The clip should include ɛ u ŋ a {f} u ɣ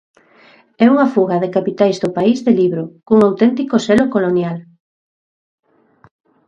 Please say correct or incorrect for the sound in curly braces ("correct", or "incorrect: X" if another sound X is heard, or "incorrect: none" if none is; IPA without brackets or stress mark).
correct